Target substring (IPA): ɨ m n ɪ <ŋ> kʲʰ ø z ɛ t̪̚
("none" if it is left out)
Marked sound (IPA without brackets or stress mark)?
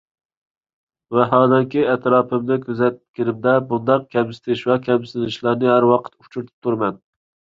none